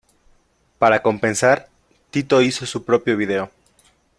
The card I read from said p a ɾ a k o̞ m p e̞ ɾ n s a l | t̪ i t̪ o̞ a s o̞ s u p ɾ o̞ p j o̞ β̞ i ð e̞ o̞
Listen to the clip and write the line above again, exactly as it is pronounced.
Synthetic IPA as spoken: p a ɾ a k o̞ m p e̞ n s a ɾ | t̪ i t̪ o̞ i s o̞ s u p ɾ o̞ p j o̞ β̞ i ð e̞ o̞